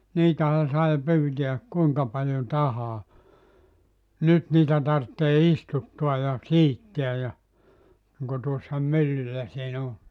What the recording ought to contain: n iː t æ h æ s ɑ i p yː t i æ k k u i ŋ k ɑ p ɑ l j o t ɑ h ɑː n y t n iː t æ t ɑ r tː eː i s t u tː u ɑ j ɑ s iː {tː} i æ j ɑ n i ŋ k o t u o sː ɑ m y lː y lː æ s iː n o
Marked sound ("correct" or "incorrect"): correct